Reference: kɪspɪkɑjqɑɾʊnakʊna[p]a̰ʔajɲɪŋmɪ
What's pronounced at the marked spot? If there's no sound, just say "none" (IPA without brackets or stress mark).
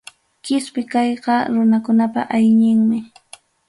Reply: p